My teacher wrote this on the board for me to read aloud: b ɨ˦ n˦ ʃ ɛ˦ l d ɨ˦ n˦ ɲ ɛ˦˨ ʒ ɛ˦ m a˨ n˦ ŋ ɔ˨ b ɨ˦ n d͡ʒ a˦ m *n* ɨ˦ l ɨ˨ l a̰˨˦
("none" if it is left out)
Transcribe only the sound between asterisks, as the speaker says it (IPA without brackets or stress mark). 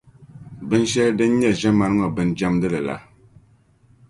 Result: d